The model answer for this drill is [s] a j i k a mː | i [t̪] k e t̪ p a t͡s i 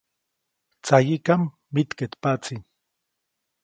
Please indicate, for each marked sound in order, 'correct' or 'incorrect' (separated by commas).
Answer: incorrect, correct